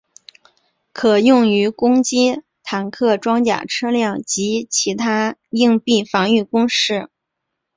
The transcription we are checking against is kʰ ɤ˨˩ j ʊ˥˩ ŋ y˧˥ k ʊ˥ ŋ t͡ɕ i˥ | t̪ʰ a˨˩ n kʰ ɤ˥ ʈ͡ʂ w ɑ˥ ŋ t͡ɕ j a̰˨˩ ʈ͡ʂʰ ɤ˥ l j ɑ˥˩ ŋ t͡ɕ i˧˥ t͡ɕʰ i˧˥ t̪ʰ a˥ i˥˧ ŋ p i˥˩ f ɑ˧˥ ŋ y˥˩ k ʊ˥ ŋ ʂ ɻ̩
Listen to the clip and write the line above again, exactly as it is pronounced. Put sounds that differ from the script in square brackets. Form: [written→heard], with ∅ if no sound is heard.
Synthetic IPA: kʰ ɤ˨˩ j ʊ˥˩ ŋ y˧˥ k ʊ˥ ŋ t͡ɕ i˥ | t̪ʰ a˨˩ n kʰ [ɤ˥→ɤ˥˩] ʈ͡ʂ w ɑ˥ ŋ t͡ɕ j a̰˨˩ ʈ͡ʂʰ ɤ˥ l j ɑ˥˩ ŋ t͡ɕ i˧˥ t͡ɕʰ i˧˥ t̪ʰ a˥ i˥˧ ŋ p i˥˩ f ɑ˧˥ ŋ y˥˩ k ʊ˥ ŋ ʂ ɻ̩